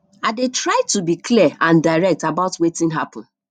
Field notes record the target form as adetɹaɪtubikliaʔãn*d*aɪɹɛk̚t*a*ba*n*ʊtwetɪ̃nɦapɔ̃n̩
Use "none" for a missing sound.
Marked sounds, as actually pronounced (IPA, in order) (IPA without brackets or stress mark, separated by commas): d, a, none